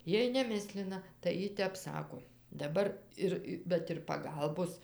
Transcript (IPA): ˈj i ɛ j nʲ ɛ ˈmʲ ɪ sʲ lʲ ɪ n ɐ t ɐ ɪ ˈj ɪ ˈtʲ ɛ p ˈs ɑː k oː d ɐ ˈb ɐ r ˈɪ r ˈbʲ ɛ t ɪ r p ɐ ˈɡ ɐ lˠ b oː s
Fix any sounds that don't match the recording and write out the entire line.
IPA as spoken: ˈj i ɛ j nʲ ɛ ˈmʲ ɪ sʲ lʲ ɪ n ɐ t ɐ ɪ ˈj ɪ ˈtʲ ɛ p ˈs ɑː k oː d ɐ ˈb ɐ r ˈɪ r ˈbʲ ɛ t ɪ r p ɐ ˈɡ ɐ lˠ b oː s